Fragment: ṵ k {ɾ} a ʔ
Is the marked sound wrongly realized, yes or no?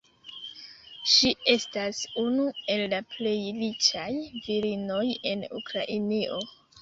no